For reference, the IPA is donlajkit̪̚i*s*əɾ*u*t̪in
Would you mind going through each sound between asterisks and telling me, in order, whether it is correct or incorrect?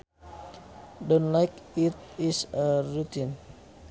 correct, correct

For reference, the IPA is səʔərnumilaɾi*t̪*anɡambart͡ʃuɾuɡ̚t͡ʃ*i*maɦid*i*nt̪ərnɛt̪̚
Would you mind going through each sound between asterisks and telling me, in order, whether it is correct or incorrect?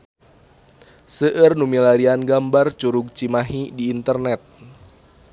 incorrect, correct, incorrect

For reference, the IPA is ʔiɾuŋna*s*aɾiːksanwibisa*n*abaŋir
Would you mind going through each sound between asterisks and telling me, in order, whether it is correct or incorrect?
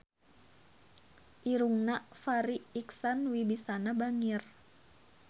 incorrect, correct

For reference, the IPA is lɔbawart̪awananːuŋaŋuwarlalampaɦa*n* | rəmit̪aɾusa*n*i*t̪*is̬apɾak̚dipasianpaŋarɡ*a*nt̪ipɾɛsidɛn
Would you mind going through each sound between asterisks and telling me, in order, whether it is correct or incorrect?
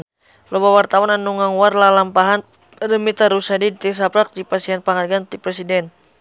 correct, incorrect, correct, correct

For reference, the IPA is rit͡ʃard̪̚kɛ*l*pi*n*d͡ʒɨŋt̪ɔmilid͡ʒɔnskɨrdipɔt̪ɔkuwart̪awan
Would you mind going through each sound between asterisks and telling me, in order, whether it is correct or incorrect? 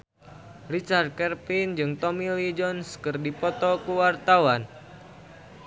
incorrect, correct

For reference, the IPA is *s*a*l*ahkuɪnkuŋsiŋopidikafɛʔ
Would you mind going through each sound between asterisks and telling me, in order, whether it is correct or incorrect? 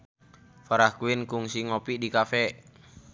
incorrect, incorrect

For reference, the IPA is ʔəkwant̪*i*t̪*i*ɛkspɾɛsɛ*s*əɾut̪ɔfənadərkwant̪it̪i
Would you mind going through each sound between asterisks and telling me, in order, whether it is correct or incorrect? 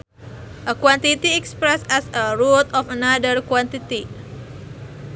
correct, correct, correct

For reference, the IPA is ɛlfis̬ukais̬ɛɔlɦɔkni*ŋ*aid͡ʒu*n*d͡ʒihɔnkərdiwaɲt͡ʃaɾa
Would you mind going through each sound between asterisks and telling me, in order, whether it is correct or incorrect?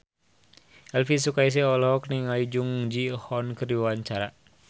correct, incorrect

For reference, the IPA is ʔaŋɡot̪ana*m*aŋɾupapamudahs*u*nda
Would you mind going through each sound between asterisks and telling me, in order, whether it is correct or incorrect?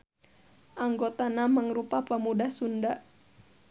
correct, correct

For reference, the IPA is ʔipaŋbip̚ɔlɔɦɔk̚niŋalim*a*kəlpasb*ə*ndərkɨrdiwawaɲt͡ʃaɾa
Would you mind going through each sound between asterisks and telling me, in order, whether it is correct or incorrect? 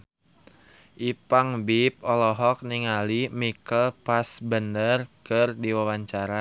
incorrect, correct

